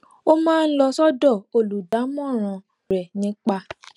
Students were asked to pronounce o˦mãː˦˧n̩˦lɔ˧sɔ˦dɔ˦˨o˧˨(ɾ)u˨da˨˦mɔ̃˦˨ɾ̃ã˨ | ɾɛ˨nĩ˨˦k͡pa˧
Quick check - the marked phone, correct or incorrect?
incorrect